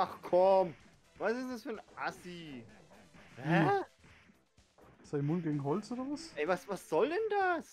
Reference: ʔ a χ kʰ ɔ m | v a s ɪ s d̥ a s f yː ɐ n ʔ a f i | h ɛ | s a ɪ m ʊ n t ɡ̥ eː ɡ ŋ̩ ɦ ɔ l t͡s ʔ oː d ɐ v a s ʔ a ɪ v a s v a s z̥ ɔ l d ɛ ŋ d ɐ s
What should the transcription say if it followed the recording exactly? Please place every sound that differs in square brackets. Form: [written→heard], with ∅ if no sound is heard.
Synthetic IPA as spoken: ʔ a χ kʰ ɔ m | v a s ɪ s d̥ a s f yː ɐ n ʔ a [f→s] i | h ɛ | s a ɪ m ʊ n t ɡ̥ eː ɡ ŋ̩ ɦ ɔ l t͡s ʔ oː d ɐ v a s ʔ [a→ɛ] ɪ v a s v a s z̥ ɔ l d ɛ [ŋ→n] d [ɐ→a] s

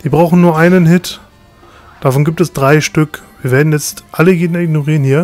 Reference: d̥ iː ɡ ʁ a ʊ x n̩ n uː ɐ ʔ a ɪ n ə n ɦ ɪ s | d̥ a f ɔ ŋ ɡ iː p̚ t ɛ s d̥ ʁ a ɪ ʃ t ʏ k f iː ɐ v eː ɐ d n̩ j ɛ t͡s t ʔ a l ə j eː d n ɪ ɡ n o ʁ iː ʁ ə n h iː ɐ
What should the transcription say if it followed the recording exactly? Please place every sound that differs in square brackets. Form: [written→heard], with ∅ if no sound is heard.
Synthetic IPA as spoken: d̥ iː [ɡ→b] ʁ a ʊ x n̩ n uː ɐ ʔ a ɪ n ə n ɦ ɪ [s→t] | d̥ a f ɔ [ŋ→n] ɡ iː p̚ t ɛ s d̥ ʁ a ɪ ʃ t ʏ k [f→v] iː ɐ v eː ɐ d n̩ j ɛ t͡s t ʔ a l ə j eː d n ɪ ɡ n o ʁ iː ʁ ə n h iː ɐ

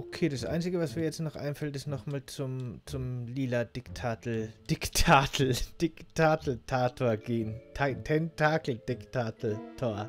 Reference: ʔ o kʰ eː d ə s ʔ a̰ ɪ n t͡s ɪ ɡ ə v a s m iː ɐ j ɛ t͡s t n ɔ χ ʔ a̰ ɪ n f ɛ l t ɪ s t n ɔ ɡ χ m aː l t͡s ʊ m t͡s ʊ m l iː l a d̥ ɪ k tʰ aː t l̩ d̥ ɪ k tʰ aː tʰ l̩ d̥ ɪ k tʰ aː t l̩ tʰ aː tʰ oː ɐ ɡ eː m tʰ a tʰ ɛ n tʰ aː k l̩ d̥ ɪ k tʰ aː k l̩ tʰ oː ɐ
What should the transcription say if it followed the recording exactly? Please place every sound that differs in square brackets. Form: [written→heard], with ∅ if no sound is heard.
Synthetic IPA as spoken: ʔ o kʰ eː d [ə→a] s ʔ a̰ ɪ n t͡s ɪ ɡ ə v a s m iː ɐ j ɛ t͡s t n ɔ χ ʔ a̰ ɪ n f ɛ l t ɪ s t n ɔ [ɡ→∅] χ m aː l t͡s ʊ m t͡s ʊ m l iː l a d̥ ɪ k tʰ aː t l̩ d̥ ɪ k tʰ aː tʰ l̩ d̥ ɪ k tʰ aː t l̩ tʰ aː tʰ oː ɐ ɡ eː [m→n] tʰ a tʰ ɛ n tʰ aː k l̩ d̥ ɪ k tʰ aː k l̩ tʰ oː ɐ

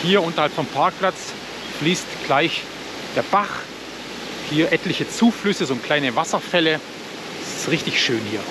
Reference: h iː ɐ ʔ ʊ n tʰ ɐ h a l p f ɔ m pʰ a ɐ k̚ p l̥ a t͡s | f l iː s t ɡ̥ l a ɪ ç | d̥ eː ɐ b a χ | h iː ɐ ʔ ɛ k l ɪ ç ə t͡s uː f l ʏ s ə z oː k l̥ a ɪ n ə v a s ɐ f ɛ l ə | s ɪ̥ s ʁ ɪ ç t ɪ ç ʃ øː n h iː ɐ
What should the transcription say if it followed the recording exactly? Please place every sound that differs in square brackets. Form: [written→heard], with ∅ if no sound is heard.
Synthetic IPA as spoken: h iː ɐ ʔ ʊ n [tʰ→t] ɐ h a l p f ɔ m pʰ a ɐ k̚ p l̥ a t͡s | f l iː s t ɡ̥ l a ɪ ç | d̥ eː ɐ b a χ | h iː ɐ ʔ ɛ [k→t] l ɪ ç ə t͡s uː f l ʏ s ə z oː k l̥ a ɪ n ə v a s ɐ f ɛ l ə | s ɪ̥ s ʁ ɪ ç t ɪ ç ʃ øː n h iː ɐ

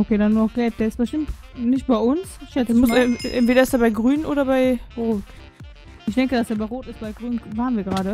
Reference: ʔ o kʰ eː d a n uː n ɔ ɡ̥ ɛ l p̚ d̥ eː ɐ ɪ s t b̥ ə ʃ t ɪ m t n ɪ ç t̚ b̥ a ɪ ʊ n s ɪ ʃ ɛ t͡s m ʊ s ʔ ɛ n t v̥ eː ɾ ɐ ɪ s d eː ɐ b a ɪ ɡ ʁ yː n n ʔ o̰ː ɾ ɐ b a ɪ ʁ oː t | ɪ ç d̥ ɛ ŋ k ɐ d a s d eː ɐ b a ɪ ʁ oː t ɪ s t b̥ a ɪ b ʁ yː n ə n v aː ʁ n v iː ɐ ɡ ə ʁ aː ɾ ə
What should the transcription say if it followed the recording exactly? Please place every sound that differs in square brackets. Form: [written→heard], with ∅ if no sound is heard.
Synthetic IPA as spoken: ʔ o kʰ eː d a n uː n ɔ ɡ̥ ɛ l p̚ d̥ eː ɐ ɪ s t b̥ ə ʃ t ɪ m t n ɪ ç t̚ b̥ a ɪ ʊ n s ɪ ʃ ɛ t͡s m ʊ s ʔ ɛ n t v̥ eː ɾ ɐ ɪ s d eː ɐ b a ɪ ɡ ʁ yː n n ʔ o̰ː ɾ ɐ b a ɪ ʁ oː t | ɪ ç d̥ ɛ ŋ k [ɐ→ə] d a s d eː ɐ b a ɪ ʁ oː t ɪ s t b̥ a ɪ [b→ɡ] ʁ yː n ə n v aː ʁ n v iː ɐ ɡ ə ʁ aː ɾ ə

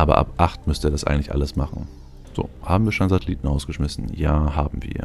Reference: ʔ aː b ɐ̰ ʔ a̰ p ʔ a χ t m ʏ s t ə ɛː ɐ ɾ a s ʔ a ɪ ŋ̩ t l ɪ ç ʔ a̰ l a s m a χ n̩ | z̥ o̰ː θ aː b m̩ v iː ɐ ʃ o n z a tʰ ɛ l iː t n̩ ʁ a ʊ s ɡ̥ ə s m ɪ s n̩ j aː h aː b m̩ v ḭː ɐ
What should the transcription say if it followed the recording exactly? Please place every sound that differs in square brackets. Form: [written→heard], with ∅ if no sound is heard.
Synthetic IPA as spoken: ʔ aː b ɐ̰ ʔ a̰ p ʔ a χ t m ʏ s t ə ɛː ɐ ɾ a s ʔ a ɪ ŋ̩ t l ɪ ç ʔ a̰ l [a→ə] s m a χ n̩ | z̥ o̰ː [θ→h] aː b m̩ v iː ɐ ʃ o n z a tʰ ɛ l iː t n̩ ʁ a ʊ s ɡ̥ ə [s→ʃ] m ɪ s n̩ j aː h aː b m̩ v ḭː ɐ

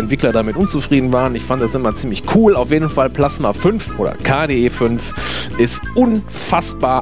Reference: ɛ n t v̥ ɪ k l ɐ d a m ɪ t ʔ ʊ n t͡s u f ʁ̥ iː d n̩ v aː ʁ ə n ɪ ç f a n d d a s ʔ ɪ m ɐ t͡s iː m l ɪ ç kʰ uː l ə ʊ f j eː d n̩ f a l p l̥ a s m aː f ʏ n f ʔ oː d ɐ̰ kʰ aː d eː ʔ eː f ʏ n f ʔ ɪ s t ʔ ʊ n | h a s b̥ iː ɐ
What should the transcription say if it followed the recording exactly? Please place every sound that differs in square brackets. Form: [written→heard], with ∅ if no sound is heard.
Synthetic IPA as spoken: ɛ n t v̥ ɪ k l ɐ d a m ɪ t ʔ ʊ n t͡s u f ʁ̥ iː d n̩ v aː ʁ ə n ɪ ç f a n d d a s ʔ ɪ m ɐ t͡s iː m l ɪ ç kʰ uː l [ə→a] ʊ f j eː d n̩ f a l p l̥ a s m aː f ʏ n f ʔ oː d ɐ̰ kʰ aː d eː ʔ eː f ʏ n f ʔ ɪ s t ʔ ʊ n | [h→f] a s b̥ [iː→aː] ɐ

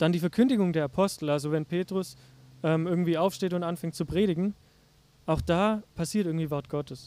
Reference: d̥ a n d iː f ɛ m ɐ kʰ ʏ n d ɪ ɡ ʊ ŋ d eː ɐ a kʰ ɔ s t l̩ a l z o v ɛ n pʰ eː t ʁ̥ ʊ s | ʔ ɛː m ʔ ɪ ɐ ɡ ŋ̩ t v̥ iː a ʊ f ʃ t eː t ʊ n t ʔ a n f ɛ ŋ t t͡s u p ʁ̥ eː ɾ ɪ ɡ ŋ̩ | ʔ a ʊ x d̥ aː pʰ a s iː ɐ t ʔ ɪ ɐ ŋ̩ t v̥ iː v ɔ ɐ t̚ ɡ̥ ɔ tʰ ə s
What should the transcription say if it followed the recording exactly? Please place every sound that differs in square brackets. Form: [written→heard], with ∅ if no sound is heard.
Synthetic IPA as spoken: d̥ a n d iː f ɛ [m→∅] ɐ kʰ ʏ n d ɪ ɡ ʊ ŋ d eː ɐ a [kʰ→pʰ] ɔ s t l̩ a l z o v ɛ n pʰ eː t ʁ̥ ʊ s | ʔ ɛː m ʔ ɪ ɐ ɡ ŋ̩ t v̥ iː a ʊ f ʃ t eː t ʊ n t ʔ a n f ɛ ŋ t t͡s u p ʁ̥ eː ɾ ɪ ɡ ŋ̩ | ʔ a ʊ x d̥ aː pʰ a s iː ɐ t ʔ ɪ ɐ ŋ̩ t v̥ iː v ɔ ɐ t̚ ɡ̥ ɔ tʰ ə s

